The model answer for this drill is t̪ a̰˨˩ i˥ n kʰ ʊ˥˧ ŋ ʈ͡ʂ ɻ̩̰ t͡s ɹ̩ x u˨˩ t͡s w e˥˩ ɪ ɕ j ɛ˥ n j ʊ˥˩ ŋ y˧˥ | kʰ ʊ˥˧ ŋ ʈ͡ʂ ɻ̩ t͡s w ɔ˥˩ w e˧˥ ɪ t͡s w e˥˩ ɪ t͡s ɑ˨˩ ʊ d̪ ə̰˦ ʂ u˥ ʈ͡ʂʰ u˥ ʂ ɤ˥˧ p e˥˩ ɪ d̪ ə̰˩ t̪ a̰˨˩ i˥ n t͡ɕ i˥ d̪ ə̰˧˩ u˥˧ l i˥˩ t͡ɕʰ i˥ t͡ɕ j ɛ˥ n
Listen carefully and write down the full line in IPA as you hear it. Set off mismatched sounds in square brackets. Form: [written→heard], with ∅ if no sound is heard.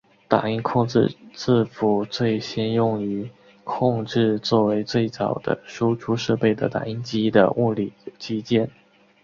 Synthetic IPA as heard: t̪ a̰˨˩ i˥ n kʰ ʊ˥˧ ŋ ʈ͡ʂ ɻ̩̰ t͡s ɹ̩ [x→f] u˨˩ t͡s w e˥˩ ɪ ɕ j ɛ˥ n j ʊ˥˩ ŋ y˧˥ | kʰ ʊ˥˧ ŋ ʈ͡ʂ ɻ̩ t͡s w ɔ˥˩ w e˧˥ ɪ t͡s w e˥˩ ɪ t͡s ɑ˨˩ ʊ d̪ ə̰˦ ʂ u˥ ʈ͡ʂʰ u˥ ʂ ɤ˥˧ p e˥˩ ɪ d̪ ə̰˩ t̪ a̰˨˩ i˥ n t͡ɕ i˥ d̪ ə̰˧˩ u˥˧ l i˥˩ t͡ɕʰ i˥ t͡ɕ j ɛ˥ n